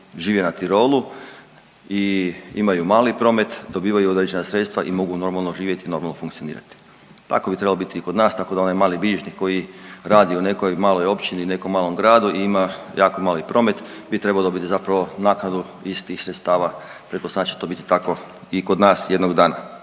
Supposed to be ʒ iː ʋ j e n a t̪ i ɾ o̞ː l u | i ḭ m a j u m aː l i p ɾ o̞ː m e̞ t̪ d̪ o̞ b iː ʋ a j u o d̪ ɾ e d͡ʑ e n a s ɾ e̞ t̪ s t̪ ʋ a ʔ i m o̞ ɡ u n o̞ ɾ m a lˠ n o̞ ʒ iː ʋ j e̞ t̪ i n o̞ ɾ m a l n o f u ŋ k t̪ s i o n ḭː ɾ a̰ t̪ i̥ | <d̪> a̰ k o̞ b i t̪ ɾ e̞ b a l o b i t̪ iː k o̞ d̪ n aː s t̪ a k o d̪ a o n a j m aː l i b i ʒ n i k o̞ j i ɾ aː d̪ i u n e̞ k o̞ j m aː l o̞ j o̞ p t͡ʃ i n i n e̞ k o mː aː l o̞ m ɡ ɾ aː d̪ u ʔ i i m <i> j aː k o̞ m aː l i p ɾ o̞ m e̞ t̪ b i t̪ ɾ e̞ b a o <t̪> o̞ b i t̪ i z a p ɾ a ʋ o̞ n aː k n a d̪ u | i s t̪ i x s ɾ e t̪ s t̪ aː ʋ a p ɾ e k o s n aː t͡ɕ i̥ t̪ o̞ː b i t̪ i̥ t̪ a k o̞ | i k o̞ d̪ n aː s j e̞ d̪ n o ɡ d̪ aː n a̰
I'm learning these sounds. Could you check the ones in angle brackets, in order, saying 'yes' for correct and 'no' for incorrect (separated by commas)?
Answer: no, no, no